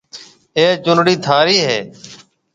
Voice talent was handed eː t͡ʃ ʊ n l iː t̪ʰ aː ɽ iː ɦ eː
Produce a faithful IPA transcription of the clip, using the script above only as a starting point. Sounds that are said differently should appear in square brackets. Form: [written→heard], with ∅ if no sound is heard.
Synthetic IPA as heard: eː t͡ʃ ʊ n [l→ɽ] iː t̪ʰ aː [ɽ→ɾ] iː ɦ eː